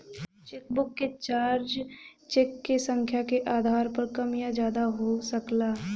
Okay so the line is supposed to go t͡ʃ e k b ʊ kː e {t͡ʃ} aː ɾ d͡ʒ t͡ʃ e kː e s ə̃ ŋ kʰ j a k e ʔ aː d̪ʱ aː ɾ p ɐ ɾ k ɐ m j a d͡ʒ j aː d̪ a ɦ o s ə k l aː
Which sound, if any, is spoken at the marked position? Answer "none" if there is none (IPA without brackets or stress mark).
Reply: t͡ʃ